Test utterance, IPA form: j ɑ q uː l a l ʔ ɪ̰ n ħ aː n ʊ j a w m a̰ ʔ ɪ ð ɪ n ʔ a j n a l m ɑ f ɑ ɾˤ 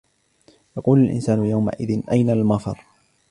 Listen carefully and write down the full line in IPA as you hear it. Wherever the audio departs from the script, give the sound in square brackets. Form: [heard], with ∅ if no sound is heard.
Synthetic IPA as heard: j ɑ q uː l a l ʔ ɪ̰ n [s] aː n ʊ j a w m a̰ ʔ ɪ ð ɪ n ʔ a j n a l m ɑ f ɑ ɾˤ

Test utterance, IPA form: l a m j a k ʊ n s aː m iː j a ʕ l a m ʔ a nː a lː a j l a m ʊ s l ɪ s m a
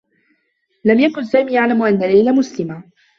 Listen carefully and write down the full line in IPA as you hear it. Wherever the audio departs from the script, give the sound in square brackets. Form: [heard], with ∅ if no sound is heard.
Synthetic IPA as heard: l a m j a k ʊ n s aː m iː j a ʕ l a m ʔ a nː a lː a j l a m ʊ s l ɪ [∅] m a

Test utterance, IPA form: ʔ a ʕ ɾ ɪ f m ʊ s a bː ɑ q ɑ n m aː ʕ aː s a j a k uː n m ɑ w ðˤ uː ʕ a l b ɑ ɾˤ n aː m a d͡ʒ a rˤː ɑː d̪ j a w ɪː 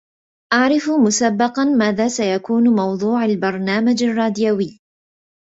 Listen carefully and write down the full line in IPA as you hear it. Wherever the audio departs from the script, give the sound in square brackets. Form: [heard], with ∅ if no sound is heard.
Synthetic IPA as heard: ʔ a ʕ ɾ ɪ f m ʊ s a bː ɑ q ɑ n m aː [ð] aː s a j a k uː n m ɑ w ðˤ uː ʕ a l b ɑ ɾˤ n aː m a d͡ʒ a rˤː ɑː d̪ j a w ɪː

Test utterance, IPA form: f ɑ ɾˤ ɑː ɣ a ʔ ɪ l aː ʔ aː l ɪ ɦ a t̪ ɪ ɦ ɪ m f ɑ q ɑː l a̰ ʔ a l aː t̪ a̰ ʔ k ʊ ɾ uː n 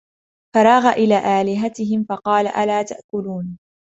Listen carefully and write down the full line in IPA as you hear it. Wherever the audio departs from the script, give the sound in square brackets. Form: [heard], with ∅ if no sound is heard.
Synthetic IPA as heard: f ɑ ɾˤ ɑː ɣ a ʔ ɪ l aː ʔ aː l ɪ ɦ a t̪ ɪ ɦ ɪ m f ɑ q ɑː l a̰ ʔ a l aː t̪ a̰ ʔ k ʊ [l] uː n

